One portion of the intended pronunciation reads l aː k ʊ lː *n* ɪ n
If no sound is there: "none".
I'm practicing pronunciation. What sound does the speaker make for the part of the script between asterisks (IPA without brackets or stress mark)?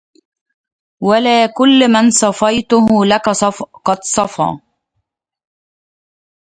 m